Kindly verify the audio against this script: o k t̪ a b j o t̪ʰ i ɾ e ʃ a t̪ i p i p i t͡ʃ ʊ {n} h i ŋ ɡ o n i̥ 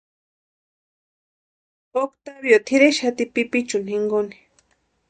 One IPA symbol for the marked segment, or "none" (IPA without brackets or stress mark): n